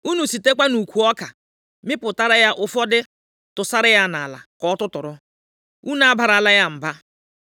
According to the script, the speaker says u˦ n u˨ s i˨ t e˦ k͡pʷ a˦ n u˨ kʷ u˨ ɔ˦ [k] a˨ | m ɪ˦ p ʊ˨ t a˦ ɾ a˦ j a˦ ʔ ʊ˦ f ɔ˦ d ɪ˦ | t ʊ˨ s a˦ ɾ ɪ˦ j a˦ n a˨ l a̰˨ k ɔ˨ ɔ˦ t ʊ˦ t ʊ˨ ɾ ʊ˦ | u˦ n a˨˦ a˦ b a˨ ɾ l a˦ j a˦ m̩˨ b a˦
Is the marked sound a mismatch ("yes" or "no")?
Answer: no